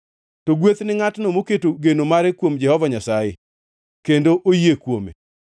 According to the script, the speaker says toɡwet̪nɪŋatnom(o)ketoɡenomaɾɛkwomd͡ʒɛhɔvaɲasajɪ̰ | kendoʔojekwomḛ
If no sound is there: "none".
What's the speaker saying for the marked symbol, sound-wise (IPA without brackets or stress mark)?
o